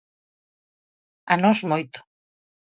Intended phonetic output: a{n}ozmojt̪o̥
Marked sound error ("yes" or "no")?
no